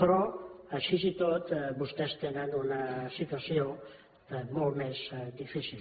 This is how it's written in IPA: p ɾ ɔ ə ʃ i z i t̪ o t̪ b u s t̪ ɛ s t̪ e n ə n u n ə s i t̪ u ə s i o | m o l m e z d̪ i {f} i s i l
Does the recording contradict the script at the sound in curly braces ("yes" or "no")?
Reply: no